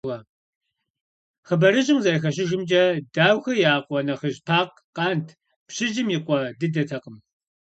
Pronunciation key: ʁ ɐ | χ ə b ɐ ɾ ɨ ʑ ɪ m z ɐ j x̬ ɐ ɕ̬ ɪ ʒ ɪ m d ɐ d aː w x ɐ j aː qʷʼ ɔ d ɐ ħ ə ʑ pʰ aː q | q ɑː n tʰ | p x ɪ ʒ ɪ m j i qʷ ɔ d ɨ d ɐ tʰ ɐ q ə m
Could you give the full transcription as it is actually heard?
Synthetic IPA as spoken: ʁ ɐ | χ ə b ɐ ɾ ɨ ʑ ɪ m z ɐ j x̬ ɐ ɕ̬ ɪ ʒ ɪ m d͡ʒ ɐ d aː w x ɐ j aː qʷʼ ɔ n ɐ χ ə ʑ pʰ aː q | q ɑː n tʰ | p ɕ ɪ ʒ ɪ m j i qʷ ɔ d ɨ d ɐ tʰ ɐ q ə m